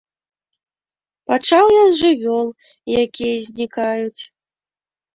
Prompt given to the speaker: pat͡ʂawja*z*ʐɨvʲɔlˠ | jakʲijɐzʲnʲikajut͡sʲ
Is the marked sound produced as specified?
yes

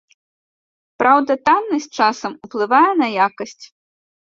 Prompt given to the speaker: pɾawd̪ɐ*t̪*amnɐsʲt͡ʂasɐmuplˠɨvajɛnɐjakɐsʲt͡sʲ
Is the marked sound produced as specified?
yes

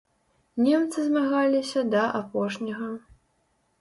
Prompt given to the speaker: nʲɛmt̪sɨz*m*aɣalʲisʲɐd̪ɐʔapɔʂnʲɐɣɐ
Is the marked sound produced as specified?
yes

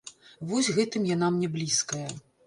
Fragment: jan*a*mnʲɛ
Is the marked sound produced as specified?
yes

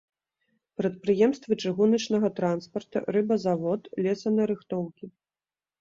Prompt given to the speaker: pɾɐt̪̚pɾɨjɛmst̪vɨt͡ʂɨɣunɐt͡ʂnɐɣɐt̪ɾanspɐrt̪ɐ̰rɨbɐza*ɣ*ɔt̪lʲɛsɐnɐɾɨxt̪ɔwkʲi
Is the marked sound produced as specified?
no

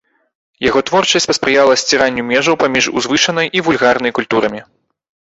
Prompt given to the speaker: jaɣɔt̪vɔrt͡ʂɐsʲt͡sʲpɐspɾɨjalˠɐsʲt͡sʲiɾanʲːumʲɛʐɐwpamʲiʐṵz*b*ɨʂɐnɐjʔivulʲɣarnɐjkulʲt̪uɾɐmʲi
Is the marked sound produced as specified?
no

